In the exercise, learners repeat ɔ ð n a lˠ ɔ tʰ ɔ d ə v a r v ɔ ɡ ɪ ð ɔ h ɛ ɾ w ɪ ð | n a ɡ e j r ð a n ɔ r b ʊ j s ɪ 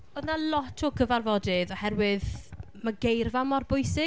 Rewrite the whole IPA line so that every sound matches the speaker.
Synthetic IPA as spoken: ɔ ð n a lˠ ɔ tʰ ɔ ɡ ə v a r v ɔ d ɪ ð ɔ h ɛ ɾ w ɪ ð | m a ɡ e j r v a m ɔ r b ʊ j s ɪ